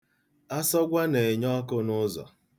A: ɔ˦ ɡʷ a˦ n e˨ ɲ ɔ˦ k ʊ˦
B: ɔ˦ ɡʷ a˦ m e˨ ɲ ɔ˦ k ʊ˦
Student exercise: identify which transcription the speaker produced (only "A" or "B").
A